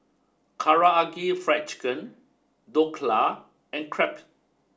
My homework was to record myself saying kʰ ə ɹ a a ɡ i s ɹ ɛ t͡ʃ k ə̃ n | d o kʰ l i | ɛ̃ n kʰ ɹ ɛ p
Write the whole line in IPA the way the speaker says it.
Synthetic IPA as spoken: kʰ a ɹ a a ɡ i f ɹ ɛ t͡ʃ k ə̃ n | d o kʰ l a | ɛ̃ n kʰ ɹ ɛ p